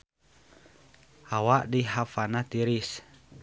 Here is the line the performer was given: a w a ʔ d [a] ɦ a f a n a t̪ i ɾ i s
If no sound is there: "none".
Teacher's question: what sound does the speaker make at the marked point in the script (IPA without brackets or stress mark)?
i